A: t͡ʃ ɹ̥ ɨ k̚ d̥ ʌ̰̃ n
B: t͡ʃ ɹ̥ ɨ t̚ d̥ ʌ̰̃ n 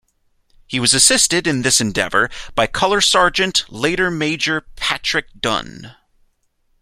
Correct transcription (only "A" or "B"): A